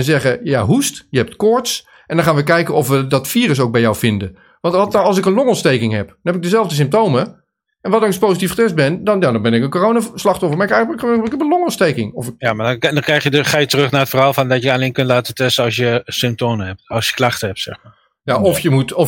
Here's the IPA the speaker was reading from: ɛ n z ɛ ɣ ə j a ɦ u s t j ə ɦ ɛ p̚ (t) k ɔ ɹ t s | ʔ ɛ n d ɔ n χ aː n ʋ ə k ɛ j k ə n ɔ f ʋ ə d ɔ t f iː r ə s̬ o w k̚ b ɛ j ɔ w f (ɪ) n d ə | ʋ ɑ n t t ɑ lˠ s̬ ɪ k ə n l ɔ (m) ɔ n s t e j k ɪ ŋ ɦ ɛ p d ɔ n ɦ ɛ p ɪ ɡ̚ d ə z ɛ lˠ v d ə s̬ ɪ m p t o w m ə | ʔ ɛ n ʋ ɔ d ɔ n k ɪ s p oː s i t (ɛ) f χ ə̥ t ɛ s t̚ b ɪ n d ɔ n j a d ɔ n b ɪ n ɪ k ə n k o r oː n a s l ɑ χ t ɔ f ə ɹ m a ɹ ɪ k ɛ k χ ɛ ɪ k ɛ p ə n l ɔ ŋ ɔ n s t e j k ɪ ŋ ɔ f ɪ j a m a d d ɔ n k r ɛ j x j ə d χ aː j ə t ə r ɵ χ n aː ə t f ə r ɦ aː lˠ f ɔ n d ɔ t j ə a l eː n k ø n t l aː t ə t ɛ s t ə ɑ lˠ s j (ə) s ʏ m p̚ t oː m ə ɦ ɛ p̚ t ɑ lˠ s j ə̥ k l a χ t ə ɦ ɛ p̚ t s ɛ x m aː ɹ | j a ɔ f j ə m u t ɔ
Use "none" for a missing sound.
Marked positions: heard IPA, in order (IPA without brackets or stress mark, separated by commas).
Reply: t, ɪ, ŋ, i, ə